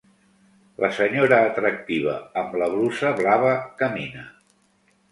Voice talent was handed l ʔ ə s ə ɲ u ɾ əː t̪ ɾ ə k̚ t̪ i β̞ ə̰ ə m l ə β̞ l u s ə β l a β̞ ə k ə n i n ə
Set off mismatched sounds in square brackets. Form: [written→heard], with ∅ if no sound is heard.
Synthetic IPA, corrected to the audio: l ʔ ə s ə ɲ [u→o] ɾ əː t̪ ɾ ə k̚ t̪ i β̞ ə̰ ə m l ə β̞ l u s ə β l a β̞ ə k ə [n→m] i n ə

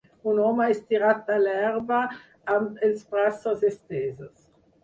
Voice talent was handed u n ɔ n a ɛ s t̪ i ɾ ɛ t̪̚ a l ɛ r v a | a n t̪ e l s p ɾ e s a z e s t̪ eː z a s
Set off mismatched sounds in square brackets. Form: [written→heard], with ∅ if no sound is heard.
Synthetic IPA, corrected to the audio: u n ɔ [n→m] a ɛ s t̪ i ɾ [ɛ→a] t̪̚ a l ɛ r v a | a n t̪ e l s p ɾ [e→a] s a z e s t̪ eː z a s

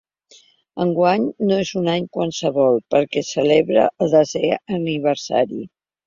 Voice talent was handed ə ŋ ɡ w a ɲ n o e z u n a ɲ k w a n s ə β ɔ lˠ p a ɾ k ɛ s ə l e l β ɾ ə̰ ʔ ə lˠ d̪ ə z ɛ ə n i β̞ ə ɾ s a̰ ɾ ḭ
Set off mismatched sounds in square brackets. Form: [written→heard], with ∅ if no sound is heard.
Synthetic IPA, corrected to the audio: ə ŋ ɡ w a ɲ n o e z u n a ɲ k w a n s ə β ɔ lˠ p [a→ə] ɾ k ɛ s ə l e [l→∅] β ɾ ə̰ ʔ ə lˠ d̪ ə z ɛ ə n i β̞ ə ɾ s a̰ ɾ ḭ

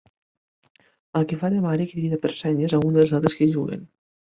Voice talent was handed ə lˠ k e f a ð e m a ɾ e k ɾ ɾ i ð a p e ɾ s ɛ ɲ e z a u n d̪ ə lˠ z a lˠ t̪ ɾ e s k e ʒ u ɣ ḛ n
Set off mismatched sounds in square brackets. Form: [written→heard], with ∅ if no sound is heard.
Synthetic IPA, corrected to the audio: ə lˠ k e f a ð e m a ɾ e k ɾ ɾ i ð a p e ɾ s ɛ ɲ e z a u n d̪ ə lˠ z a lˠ t̪ ɾ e s k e ʒ u ɣ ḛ n

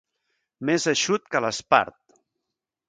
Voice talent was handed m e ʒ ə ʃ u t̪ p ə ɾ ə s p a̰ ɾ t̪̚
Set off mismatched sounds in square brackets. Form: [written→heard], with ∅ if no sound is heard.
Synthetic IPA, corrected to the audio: m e [ʒ→z] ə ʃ u t̪ [p→k] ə [ɾ→l] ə s p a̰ ɾ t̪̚

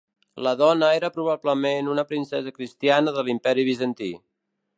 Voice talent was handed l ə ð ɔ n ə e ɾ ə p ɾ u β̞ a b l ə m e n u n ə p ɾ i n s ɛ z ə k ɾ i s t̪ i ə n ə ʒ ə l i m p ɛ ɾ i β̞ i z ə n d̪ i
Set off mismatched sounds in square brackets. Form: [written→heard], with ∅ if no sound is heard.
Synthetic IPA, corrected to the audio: l ə ð ɔ n ə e ɾ ə p ɾ u β̞ a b l ə m e n u n ə p ɾ i n s ɛ z ə k ɾ i s t̪ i [ə→a] n ə [ʒ→ð] ə l i m p ɛ ɾ i β̞ i z ə n [d̪→t̪] i

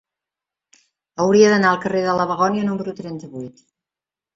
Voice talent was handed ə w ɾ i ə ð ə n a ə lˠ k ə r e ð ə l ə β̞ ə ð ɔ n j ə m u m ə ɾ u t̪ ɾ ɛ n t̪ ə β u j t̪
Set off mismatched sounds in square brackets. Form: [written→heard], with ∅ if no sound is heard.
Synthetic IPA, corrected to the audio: ə w ɾ i ə ð ə n a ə lˠ k ə r e ð ə l ə β̞ ə [ð→ɣ] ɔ n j ə [m→n] u m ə ɾ u t̪ ɾ ɛ n t̪ ə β u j t̪

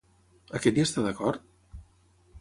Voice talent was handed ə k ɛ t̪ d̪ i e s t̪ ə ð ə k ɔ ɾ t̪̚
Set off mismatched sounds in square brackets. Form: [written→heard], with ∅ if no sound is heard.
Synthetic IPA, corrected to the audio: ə k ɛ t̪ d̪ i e s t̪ [ə→a] ð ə k ɔ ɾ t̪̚

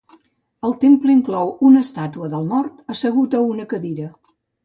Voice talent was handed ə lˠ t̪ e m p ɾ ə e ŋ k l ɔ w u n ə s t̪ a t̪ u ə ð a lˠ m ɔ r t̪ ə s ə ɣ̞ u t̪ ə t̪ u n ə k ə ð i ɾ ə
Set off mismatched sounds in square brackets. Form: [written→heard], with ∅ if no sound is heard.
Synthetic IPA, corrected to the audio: ə lˠ t̪ e m p [ɾ→l] ə [e→i] ŋ k l ɔ w u n ə s t̪ a t̪ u ə ð [a→ə] lˠ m ɔ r t̪ ə s ə ɣ̞ u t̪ ə [t̪→∅] u n ə k ə ð i ɾ ə

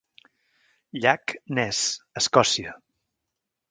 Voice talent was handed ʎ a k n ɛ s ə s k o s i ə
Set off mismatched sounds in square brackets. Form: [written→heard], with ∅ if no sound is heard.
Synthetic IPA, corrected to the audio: ʎ a k n ɛ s ə s k [o→ɔ] s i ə

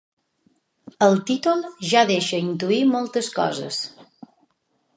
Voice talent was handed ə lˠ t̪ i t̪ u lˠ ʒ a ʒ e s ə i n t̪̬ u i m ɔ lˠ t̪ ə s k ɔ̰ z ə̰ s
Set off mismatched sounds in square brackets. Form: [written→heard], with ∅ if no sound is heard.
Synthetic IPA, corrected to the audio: ə lˠ t̪ i t̪ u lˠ ʒ a [ʒ→ð] e [s→ʃ] ə i n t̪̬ u i m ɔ lˠ t̪ ə s k ɔ̰ z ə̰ s

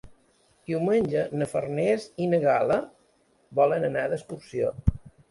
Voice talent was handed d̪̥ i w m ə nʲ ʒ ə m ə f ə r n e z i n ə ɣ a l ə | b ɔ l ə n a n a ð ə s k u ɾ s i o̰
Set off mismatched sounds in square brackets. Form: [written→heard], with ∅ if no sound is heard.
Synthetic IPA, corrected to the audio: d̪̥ i w m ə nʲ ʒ ə [m→n] ə f ə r n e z i n ə ɣ a l ə | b ɔ l ə n [a→ə] n a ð ə s k u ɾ s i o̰

